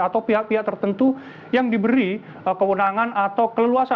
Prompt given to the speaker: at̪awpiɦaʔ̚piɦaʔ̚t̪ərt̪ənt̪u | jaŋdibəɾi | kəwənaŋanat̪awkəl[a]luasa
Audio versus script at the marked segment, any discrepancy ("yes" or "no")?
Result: yes